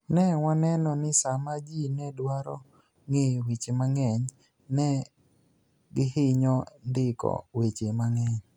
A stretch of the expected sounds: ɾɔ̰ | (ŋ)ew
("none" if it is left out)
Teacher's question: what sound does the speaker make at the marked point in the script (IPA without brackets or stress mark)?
ŋ